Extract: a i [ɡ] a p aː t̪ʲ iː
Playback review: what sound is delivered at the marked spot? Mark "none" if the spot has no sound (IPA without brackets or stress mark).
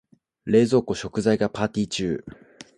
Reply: ɡ